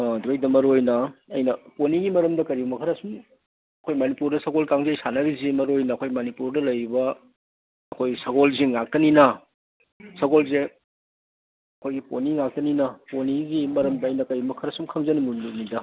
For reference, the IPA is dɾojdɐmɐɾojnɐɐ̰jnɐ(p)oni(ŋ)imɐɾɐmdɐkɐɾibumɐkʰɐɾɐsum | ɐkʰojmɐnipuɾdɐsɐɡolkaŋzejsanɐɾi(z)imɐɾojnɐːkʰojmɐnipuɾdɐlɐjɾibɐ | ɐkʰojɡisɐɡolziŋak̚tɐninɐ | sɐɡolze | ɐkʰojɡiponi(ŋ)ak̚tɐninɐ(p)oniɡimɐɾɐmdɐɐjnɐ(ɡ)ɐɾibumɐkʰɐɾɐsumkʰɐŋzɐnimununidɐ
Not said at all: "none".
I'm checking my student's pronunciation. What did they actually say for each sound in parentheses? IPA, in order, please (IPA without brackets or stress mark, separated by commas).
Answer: p, ɡ, z, ŋ, p, k